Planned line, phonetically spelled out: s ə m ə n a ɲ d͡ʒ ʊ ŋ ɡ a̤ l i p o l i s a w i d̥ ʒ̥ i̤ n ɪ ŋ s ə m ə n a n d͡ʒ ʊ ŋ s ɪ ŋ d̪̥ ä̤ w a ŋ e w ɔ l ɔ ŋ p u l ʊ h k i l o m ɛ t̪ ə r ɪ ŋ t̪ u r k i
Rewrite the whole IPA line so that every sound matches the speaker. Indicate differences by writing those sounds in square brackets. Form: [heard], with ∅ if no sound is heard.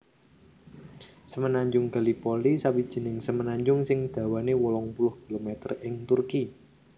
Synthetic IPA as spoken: s ə m ə n a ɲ d͡ʒ ʊ ŋ ɡ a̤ l i p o l i s a w i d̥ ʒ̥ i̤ n ɪ ŋ s ə m ə n a [ɲ] d͡ʒ ʊ ŋ s ɪ ŋ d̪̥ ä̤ w a [n] e w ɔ l ɔ ŋ p u l ʊ h k i l o m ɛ t̪ ə r ɪ ŋ t̪ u r k i